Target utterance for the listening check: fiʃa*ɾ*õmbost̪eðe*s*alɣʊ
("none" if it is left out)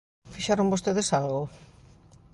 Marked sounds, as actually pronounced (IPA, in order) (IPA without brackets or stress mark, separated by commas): ɾ, s